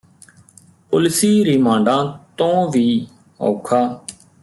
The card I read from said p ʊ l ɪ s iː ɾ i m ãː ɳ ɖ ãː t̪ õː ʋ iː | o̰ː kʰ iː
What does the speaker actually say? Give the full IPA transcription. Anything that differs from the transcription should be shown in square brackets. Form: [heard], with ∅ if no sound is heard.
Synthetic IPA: p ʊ l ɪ s iː ɾ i m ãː ɳ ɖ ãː t̪ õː ʋ iː | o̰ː kʰ [aː]

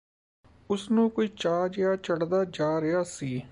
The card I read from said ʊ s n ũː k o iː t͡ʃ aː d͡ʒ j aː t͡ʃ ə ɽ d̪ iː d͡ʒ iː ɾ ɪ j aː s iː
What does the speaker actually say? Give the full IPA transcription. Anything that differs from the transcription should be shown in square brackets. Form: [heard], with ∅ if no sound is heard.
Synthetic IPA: ʊ s n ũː k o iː t͡ʃ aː d͡ʒ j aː t͡ʃ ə ɽ d̪ [aː] d͡ʒ [aː] ɾ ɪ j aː s iː

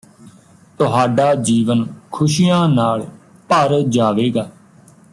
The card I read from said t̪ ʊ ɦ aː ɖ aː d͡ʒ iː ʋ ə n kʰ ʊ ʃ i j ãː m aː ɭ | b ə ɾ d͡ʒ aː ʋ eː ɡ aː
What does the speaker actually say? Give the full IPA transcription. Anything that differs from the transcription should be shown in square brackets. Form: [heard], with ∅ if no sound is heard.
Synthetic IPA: t̪ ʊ ɦ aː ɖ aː d͡ʒ iː ʋ ə n kʰ ʊ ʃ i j ãː [n] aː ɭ | [p] ə ɾ d͡ʒ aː ʋ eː ɡ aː

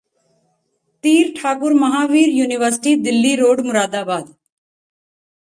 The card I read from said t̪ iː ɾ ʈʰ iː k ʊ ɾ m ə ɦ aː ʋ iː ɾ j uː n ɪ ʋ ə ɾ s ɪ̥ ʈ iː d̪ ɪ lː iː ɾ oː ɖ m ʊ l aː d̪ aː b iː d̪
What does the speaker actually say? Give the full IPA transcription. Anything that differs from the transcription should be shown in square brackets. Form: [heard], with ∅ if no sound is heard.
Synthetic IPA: t̪ iː ɾ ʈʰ [aː] k ʊ ɾ m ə ɦ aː ʋ iː ɾ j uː n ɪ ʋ ə ɾ s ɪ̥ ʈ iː d̪ ɪ lː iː ɾ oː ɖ m ʊ [ɾ] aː d̪ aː b [aː] d̪

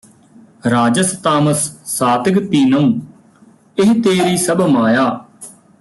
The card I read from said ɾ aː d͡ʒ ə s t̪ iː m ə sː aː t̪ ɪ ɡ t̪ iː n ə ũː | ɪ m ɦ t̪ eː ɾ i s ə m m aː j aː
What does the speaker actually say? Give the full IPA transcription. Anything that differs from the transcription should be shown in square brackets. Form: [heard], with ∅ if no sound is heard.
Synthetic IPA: ɾ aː d͡ʒ ə s t̪ [aː] m ə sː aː t̪ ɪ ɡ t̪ iː n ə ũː | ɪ [∅] ɦ t̪ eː ɾ [iː] s ə [b] m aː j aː

